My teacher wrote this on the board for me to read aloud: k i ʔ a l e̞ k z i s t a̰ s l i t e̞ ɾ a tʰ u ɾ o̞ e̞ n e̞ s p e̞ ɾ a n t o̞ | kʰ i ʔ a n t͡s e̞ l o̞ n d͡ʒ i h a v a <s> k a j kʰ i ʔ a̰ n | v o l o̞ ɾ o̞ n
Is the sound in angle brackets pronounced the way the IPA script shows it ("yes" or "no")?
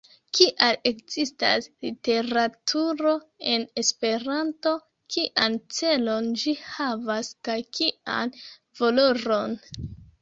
yes